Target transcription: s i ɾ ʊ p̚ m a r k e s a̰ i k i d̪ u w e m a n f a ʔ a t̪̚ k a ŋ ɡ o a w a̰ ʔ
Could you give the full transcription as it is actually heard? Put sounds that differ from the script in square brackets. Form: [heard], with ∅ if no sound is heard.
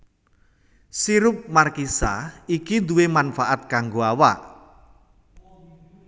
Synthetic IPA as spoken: s i ɾ ʊ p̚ m a r k [i] s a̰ i k i d̪ u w e m a n f a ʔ a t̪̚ k a ŋ ɡ o a w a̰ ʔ